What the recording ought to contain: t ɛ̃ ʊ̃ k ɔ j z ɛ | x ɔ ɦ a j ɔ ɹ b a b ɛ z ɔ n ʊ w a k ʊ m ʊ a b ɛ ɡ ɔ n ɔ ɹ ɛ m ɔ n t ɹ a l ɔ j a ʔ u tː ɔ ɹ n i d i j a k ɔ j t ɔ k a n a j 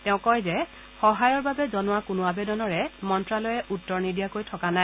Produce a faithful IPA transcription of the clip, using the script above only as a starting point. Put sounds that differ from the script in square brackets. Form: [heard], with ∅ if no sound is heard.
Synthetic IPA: t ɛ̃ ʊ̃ k ɔ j z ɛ | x ɔ ɦ a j ɔ ɹ b a b ɛ z ɔ n ʊ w a k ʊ [n] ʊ a b ɛ [d] ɔ n ɔ ɹ ɛ m ɔ n t ɹ a l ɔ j [ɛ] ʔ u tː ɔ ɹ n i d i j a k [o] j [tʰ] ɔ k a n a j